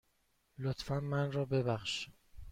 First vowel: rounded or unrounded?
rounded